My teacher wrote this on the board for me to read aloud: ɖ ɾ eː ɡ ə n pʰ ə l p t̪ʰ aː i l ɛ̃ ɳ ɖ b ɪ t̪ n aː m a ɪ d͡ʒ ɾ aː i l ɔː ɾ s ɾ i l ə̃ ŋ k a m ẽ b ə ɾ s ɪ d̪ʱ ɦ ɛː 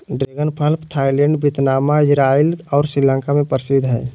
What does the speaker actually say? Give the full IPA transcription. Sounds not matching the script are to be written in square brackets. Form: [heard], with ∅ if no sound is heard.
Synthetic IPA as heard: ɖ ɾ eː ɡ ə n pʰ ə l p t̪ʰ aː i l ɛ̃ ɳ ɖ b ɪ t̪ n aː m a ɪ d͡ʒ ɾ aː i l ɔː ɾ s ɾ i l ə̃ ŋ k a m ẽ [p] ə ɾ s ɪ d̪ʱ ɦ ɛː